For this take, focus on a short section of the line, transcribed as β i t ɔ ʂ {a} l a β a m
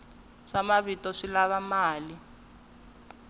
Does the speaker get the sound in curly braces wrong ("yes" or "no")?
yes